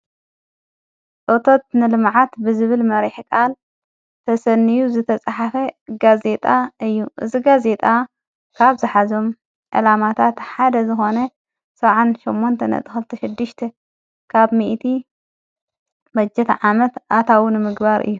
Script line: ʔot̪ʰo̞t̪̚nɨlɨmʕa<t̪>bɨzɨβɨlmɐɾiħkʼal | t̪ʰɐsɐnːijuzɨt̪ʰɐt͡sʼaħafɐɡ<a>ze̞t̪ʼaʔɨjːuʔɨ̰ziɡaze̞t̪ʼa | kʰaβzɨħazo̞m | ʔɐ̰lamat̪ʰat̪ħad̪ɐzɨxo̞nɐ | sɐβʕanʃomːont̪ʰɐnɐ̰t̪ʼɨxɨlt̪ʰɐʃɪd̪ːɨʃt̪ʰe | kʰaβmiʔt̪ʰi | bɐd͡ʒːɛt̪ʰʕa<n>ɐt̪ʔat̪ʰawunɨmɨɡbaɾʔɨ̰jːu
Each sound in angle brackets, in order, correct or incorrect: correct, correct, incorrect: m

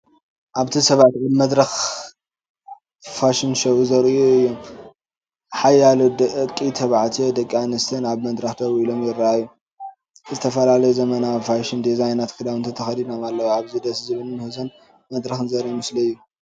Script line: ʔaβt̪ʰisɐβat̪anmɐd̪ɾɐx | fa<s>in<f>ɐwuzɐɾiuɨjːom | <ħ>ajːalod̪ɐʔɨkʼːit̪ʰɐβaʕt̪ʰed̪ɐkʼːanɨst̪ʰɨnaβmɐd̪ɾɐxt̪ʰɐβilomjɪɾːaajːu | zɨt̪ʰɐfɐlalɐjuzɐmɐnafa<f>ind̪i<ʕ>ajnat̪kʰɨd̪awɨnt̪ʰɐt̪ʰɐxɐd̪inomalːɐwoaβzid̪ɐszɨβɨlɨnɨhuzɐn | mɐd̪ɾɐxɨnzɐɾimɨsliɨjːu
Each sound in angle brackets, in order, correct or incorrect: incorrect: ʃ, incorrect: ʃ, correct, incorrect: ʃ, incorrect: z

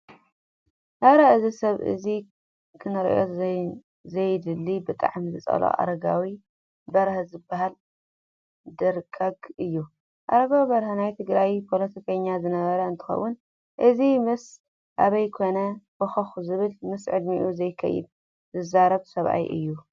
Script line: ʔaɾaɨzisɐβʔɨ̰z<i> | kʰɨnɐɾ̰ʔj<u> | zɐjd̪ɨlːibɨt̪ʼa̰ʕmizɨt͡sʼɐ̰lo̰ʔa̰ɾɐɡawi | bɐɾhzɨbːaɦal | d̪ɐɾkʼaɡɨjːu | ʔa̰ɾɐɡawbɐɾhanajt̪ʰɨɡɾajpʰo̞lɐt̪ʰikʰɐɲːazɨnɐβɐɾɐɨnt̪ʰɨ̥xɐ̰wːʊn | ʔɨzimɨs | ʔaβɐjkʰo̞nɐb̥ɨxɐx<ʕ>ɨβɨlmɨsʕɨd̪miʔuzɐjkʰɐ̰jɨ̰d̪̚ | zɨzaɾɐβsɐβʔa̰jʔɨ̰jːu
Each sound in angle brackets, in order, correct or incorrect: correct, incorrect: o, incorrect: z

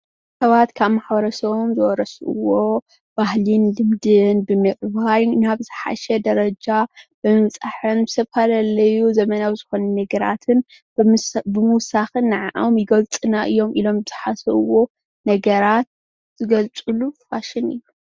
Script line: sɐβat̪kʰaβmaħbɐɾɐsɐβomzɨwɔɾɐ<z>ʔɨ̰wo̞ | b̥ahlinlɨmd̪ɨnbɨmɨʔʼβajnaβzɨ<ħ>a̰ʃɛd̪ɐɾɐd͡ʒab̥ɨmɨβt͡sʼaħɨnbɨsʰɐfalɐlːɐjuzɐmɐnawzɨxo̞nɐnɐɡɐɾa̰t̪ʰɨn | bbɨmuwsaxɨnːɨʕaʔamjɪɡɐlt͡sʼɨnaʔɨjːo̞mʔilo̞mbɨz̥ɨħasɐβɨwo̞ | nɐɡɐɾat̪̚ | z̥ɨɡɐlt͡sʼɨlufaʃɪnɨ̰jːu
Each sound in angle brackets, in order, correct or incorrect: incorrect: s, correct

